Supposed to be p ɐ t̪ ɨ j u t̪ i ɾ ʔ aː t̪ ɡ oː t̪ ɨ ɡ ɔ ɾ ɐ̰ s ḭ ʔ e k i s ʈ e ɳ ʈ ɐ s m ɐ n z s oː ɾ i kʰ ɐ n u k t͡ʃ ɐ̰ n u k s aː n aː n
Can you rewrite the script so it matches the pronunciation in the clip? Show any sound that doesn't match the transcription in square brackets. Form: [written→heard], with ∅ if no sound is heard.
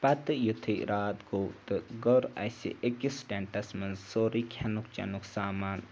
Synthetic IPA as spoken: p ɐ t̪ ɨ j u [t̪→t̪ʰ] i ɾ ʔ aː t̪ ɡ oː t̪ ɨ ɡ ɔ ɾ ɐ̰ s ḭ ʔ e k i s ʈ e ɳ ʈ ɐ s m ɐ n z s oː ɾ i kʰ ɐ n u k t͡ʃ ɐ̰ n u k s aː [n→m] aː n